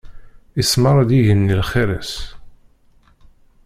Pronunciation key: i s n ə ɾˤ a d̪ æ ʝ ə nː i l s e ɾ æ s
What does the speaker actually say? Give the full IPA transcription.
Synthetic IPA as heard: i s m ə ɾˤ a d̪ i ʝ ə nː i l χ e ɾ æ s

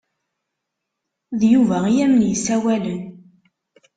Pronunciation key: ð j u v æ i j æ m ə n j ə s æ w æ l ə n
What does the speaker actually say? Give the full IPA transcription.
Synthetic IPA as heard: ð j u v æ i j æ m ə n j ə s æ w æ l ə n

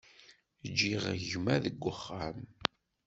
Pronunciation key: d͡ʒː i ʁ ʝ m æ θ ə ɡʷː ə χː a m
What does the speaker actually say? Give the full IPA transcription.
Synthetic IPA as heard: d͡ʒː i ʁ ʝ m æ ð ə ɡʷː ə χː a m

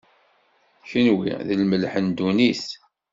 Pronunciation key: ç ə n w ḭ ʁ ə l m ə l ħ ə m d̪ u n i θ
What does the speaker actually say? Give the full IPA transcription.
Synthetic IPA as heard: ç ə n w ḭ ð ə l m ə l ħ ə n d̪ u n i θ

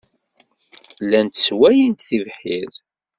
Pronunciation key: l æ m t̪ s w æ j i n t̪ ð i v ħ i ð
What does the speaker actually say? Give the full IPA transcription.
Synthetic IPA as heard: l æ n t̪ s w æ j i n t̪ θ i v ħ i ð

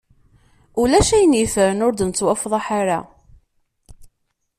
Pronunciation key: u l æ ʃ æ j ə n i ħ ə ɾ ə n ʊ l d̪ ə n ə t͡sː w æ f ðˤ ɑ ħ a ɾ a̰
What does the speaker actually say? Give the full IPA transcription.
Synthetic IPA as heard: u l æ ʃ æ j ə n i f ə ɾ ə n ʊ ɾ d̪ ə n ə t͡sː w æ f ðˤ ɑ ħ a ɾ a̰

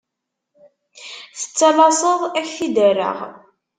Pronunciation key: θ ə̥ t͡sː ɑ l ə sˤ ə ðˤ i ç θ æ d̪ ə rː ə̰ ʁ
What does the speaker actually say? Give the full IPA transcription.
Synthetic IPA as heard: θ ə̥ t͡sː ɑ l ɑ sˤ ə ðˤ æ ç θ i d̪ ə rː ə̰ ʁ

